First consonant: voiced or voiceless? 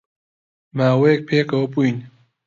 voiced